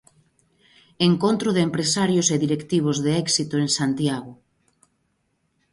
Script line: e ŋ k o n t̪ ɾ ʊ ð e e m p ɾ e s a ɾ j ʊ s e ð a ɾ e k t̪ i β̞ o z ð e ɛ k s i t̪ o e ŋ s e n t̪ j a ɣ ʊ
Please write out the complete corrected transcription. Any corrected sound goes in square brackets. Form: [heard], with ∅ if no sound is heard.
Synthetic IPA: e ŋ k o n t̪ ɾ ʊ ð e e m p ɾ e s a ɾ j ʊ s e ð [i] ɾ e k t̪ i β̞ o z ð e ɛ k s i t̪ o e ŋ s [a] n t̪ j a ɣ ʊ